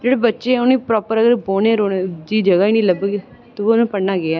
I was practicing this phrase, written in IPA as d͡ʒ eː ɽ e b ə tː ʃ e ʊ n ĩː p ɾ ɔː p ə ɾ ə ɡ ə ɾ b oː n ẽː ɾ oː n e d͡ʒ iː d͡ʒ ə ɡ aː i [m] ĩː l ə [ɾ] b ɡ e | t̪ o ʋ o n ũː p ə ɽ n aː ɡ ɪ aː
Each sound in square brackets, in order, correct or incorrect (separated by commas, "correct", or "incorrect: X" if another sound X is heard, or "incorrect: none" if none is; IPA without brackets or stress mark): incorrect: n, incorrect: none